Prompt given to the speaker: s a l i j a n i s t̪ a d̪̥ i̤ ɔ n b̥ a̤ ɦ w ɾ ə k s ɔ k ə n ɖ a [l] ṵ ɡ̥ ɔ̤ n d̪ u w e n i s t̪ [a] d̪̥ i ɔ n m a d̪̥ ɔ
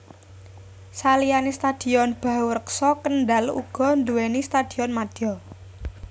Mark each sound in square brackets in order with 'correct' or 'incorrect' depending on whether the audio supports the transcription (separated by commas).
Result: correct, correct